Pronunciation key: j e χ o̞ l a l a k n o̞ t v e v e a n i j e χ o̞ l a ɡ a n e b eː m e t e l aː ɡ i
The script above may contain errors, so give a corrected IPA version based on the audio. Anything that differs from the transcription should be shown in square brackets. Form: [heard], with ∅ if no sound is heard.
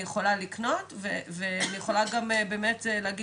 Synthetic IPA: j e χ o̞ l a l [i] k n o̞ t v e v e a n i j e χ o̞ l a ɡ a [m] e b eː m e t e l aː ɡ i